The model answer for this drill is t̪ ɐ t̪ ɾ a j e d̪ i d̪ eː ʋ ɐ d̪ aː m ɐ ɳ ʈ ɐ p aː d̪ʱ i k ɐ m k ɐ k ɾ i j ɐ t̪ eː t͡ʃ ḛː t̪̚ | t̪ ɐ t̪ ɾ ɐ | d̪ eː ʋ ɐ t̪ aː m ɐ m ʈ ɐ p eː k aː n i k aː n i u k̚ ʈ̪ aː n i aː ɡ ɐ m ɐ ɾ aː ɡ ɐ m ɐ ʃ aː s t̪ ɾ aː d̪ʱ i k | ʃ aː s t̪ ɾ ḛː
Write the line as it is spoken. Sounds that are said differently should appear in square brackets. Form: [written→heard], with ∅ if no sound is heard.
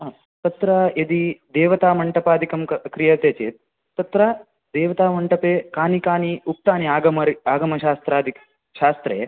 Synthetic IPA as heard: t̪ ɐ t̪ ɾ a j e d̪ i d̪ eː ʋ ɐ [d̪→t̪] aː m ɐ ɳ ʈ ɐ p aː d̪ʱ i k ɐ m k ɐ k ɾ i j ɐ t̪ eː t͡ʃ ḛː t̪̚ | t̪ ɐ t̪ ɾ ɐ | d̪ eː ʋ ɐ t̪ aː m ɐ [m→ɳ] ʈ ɐ p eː k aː n i k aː n i u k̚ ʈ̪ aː n i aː ɡ ɐ m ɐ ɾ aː ɡ ɐ m ɐ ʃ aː s t̪ ɾ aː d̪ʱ i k | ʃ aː s t̪ ɾ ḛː